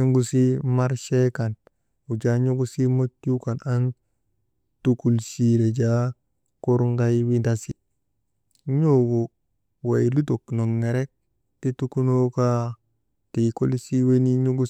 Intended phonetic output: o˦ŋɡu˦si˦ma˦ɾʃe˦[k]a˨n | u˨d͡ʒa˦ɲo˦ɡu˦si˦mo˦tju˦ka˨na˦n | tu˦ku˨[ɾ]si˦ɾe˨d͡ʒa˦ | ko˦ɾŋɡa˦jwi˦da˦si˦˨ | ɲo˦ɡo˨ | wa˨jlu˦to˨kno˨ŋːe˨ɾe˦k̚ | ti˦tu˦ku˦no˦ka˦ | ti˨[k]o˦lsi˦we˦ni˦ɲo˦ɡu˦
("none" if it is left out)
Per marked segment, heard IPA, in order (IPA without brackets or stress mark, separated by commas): k, l, k